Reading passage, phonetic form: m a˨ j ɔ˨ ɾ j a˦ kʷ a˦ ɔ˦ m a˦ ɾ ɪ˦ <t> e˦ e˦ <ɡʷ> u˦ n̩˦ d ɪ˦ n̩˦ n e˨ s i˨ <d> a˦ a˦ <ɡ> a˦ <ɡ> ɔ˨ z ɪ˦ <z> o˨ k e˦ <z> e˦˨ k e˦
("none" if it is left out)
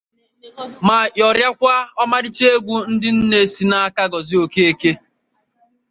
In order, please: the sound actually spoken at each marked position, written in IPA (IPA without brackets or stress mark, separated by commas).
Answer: t͡ʃ, ɡʷ, n, k, ɡ, none, none